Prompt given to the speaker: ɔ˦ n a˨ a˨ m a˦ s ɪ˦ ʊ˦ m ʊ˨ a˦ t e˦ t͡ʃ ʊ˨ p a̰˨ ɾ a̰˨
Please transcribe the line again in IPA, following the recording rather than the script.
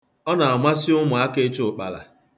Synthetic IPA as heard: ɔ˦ n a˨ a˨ m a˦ s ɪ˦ ʊ˦ m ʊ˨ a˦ k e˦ t͡ʃ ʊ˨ k͡p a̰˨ l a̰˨